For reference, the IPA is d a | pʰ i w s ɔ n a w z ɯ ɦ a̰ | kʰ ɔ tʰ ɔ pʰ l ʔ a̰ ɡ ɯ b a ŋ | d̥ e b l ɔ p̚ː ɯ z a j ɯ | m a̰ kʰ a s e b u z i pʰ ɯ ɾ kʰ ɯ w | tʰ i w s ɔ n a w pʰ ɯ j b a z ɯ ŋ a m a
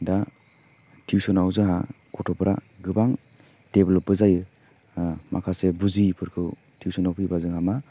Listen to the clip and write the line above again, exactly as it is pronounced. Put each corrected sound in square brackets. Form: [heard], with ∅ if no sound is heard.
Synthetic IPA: d a | [tʰ] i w s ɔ n a w z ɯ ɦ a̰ | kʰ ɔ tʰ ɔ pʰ [ɾ] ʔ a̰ ɡ ɯ b a ŋ | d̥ e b l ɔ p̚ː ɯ z a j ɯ | m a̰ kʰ a s e b u z i pʰ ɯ ɾ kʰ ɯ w | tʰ i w s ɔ n a w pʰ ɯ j b a z ɯ ŋ a m a